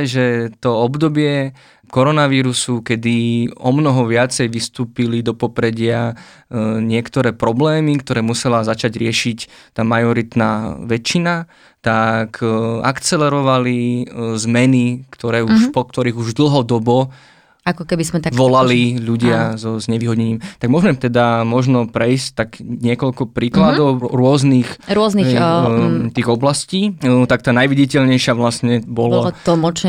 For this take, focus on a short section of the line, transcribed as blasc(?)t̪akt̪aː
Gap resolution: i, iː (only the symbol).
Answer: iː